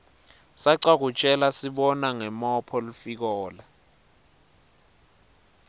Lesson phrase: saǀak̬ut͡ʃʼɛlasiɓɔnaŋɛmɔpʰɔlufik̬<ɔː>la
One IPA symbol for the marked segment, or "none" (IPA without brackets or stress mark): ɔː